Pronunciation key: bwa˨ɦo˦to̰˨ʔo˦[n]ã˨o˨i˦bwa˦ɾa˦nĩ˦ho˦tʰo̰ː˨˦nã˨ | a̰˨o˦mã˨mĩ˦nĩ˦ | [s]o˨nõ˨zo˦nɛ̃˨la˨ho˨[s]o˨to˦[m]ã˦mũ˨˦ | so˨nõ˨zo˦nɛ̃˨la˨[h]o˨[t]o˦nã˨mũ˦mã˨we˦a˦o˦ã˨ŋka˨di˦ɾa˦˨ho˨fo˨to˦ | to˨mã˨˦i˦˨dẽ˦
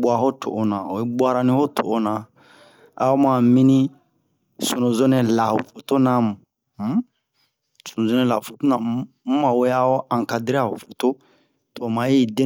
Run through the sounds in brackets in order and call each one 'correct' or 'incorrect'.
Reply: correct, correct, incorrect, incorrect, incorrect, correct

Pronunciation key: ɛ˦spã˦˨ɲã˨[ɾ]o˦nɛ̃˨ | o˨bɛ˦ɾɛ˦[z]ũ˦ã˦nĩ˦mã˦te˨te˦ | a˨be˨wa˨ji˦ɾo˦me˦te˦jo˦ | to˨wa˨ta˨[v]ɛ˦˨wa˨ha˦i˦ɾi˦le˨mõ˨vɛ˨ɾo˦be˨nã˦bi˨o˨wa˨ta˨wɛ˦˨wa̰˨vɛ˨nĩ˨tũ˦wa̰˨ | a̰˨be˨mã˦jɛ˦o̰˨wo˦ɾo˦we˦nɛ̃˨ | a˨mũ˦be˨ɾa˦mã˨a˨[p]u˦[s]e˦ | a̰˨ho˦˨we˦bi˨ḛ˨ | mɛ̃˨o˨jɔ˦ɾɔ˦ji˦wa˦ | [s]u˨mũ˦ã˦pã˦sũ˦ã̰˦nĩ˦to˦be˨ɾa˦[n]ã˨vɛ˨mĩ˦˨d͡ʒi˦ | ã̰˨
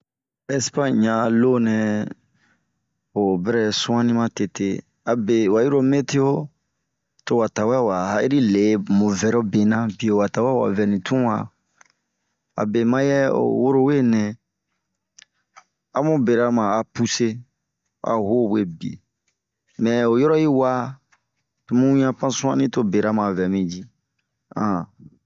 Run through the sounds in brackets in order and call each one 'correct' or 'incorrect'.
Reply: incorrect, incorrect, incorrect, correct, correct, incorrect, incorrect

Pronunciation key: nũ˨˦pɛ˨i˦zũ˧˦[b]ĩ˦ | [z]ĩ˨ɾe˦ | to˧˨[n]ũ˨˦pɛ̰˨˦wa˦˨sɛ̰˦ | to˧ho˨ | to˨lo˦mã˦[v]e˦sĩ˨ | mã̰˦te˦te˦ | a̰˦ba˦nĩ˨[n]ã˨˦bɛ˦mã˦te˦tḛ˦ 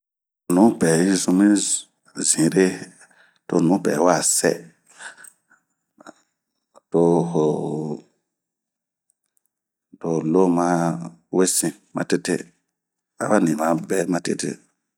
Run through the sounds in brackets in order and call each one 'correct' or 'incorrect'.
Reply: incorrect, correct, correct, incorrect, incorrect

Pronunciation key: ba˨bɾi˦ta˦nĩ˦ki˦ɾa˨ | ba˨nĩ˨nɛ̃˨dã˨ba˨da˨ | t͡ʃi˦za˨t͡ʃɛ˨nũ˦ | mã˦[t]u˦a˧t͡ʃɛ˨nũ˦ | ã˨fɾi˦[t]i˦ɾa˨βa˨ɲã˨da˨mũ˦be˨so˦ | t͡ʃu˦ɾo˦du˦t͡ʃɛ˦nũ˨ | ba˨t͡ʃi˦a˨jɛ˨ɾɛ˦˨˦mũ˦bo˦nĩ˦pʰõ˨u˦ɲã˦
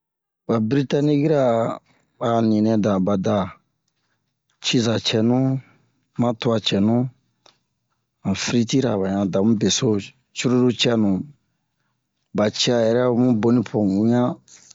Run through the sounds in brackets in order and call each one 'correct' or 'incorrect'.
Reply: correct, correct

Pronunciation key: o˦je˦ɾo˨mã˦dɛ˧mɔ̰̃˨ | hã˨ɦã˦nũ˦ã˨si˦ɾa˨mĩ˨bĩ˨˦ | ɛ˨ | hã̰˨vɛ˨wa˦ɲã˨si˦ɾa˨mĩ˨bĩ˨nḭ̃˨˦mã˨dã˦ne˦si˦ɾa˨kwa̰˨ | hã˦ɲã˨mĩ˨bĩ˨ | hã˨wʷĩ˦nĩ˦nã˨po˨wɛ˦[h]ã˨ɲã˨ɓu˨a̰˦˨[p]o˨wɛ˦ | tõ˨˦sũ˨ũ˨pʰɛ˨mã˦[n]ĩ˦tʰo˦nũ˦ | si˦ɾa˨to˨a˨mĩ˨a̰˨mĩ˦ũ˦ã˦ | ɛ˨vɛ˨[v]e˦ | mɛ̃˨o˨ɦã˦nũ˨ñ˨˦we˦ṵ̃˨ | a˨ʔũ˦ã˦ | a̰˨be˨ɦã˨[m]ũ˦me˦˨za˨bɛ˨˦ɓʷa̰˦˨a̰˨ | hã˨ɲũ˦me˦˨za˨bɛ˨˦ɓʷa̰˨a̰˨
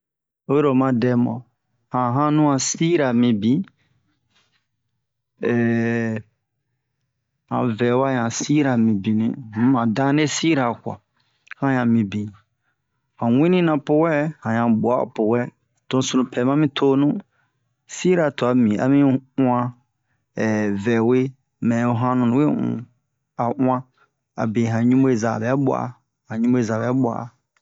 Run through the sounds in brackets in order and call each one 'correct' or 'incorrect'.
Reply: correct, correct, incorrect, incorrect, incorrect

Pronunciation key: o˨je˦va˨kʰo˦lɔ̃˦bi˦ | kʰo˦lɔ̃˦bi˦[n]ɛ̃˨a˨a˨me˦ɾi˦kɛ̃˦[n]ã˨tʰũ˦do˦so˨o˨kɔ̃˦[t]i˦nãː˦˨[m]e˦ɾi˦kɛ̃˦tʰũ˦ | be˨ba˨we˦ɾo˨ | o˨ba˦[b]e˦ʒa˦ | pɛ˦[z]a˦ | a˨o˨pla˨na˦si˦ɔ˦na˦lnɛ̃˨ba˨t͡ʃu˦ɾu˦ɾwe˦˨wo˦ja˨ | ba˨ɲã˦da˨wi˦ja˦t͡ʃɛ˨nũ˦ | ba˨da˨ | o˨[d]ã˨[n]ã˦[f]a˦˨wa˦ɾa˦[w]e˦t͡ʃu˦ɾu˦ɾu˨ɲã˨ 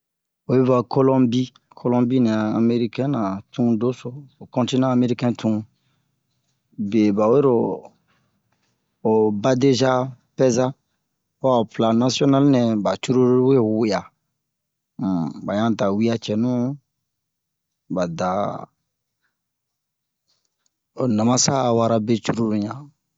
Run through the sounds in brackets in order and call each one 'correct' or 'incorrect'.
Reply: correct, correct, correct, correct, incorrect, correct, incorrect, incorrect, incorrect, incorrect

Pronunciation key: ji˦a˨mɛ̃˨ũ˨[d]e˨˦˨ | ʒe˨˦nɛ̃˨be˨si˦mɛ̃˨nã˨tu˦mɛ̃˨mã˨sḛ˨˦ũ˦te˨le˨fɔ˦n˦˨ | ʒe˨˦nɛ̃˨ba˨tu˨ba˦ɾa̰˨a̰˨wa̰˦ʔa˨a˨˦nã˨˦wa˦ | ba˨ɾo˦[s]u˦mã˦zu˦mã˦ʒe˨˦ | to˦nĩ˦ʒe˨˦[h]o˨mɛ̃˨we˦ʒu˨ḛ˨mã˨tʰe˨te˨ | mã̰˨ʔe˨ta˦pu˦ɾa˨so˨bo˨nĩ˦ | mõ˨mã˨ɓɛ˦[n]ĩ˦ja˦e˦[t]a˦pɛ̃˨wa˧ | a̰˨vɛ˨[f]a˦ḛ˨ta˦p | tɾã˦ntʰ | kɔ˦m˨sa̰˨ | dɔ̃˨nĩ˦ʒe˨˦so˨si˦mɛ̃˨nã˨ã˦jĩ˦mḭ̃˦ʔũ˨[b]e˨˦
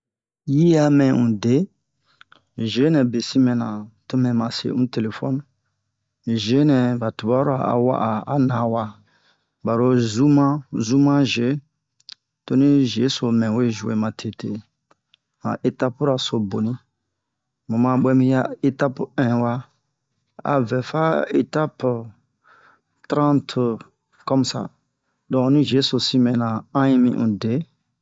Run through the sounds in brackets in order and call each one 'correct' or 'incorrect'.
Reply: correct, incorrect, incorrect, incorrect, correct, correct, incorrect

